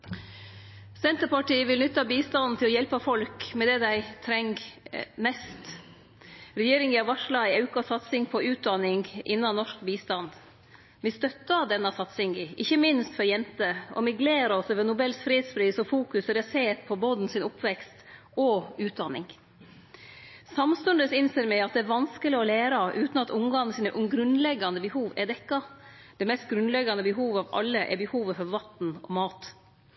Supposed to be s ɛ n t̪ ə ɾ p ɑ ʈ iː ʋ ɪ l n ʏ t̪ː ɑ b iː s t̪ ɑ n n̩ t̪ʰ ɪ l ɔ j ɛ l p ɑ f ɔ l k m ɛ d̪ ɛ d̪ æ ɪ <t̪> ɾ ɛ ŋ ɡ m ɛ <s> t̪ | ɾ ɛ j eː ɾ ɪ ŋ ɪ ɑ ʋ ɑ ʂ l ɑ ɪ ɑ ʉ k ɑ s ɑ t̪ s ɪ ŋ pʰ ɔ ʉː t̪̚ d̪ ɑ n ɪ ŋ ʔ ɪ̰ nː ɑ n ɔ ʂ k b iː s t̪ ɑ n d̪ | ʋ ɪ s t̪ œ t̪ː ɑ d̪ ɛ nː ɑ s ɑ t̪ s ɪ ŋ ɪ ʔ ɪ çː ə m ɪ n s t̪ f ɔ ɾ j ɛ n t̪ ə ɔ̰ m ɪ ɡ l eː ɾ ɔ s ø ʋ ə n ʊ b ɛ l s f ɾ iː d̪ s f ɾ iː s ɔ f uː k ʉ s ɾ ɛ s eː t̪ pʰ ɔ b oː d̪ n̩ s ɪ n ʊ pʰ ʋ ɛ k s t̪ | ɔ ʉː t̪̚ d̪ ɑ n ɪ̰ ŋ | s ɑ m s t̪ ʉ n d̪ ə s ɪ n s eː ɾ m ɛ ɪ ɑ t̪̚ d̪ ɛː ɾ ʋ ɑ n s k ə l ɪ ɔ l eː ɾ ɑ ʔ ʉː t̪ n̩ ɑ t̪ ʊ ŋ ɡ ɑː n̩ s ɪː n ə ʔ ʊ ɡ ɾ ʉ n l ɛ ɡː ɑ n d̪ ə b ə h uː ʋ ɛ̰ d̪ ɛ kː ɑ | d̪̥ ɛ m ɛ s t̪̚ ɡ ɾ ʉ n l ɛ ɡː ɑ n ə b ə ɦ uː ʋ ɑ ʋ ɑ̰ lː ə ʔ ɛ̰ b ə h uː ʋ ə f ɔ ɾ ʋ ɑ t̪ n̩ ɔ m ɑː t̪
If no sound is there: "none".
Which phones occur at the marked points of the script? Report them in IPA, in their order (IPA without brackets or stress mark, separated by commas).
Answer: t̪ʰ, s